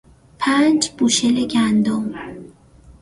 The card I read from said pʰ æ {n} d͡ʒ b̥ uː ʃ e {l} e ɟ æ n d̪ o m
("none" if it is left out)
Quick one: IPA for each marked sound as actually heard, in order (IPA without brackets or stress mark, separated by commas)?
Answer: n, l